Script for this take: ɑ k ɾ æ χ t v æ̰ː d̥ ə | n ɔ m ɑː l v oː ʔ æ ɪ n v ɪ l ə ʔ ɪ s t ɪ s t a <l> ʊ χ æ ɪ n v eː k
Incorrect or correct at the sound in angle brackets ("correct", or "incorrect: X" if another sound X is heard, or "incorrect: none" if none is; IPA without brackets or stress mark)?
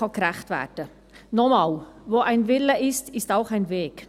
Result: incorrect: none